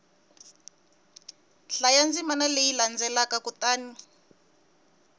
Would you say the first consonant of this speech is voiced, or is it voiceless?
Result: voiceless